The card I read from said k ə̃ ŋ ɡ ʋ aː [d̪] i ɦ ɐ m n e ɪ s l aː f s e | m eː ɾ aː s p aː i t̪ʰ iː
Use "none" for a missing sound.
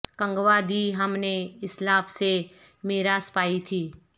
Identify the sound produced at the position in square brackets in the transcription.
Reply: d̪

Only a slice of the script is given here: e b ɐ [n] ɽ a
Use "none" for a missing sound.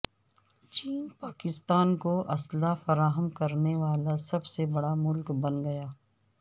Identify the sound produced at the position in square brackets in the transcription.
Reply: none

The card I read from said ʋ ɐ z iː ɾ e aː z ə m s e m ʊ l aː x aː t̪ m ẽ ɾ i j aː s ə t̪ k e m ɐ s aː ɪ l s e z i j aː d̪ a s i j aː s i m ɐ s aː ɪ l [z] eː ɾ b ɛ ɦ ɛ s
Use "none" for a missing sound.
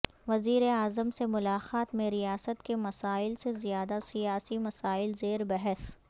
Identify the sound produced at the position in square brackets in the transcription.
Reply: z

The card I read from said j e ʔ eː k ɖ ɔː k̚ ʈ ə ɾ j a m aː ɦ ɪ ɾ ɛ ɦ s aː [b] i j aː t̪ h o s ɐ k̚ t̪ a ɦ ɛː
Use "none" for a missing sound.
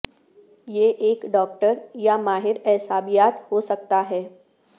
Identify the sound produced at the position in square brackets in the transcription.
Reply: b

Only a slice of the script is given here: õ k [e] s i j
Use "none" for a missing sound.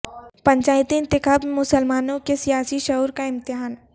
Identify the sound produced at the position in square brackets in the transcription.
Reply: e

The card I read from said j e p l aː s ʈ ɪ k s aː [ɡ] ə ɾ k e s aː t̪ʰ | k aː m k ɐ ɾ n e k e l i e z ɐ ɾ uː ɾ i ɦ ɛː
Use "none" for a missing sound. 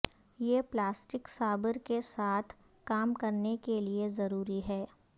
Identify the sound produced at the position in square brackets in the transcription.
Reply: b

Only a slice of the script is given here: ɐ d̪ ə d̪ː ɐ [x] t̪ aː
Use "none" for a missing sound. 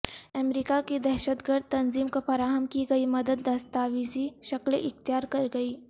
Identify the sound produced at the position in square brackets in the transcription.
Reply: s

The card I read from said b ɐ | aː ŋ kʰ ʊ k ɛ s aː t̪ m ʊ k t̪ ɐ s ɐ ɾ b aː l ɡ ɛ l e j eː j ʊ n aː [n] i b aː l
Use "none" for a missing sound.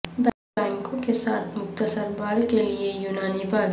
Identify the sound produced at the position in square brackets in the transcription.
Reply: n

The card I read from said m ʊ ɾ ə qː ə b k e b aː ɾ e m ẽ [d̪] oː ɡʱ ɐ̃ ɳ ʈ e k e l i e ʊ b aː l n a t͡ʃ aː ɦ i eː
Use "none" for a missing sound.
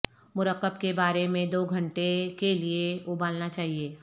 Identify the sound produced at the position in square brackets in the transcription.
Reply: d̪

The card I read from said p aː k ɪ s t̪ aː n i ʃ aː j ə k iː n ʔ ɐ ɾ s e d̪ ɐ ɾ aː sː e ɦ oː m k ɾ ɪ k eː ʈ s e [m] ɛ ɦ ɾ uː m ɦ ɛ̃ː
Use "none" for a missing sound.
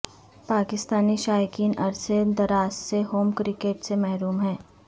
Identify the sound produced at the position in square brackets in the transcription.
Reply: m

